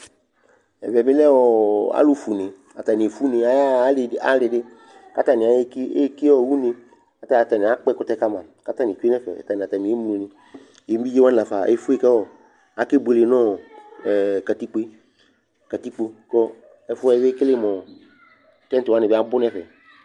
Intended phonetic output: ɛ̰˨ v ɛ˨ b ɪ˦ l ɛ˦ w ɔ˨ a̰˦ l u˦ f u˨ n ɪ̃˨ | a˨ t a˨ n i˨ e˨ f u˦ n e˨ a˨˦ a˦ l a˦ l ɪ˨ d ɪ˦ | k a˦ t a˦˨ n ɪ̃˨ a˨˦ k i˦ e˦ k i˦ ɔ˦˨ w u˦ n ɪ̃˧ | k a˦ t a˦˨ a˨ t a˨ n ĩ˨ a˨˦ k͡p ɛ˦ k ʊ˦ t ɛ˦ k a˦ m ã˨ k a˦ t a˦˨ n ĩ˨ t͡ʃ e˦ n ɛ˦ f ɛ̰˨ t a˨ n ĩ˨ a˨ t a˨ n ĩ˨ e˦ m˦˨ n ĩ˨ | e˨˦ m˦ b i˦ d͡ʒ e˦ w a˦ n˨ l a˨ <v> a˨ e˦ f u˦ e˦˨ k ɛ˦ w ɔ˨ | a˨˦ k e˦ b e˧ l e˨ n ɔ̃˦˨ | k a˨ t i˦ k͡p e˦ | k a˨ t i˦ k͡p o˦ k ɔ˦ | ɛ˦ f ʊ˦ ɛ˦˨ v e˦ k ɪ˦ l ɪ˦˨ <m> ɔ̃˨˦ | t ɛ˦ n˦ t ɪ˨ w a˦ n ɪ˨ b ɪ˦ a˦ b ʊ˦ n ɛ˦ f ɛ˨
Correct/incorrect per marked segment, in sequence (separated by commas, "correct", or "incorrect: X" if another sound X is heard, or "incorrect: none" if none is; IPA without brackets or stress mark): incorrect: f, correct